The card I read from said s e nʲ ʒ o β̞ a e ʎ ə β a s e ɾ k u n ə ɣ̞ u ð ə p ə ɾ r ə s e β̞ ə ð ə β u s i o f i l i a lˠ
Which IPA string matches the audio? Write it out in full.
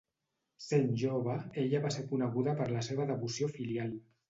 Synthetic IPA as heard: s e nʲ ʒ o β̞ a e ʎ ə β a s e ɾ k u n ə ɣ̞ u ð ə p ə ɾ l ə s e β̞ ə ð ə β u s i o f i l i a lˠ